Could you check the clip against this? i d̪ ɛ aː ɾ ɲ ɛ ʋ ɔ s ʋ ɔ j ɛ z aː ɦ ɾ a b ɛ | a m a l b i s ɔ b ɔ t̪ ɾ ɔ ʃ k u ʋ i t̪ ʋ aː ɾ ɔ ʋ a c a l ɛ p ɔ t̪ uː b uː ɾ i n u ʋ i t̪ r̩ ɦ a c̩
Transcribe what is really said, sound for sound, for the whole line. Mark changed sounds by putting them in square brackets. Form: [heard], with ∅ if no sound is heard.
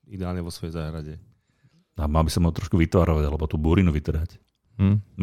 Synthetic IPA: i d̪ ɛ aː [l] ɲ ɛ ʋ ɔ s ʋ ɔ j ɛ z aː ɦ ɾ a [ɟ] ɛ | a m a l b i s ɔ [m] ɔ t̪ ɾ ɔ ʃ k u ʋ i t̪ ʋ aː ɾ ɔ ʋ a [ɟ] a l ɛ [b] ɔ t̪ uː b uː ɾ i n u ʋ i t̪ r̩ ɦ a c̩